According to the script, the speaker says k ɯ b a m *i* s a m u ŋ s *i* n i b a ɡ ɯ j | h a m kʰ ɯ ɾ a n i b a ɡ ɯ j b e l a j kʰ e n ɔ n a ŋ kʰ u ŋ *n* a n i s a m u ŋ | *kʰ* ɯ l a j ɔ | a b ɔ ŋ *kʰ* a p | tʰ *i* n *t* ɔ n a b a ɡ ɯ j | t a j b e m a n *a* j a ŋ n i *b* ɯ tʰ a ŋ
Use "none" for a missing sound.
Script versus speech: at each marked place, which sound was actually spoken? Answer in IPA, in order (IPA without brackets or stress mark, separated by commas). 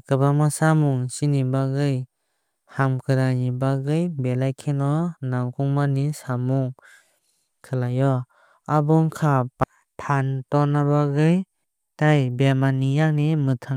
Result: a, i, m, kʰ, kʰ, a, t, i, m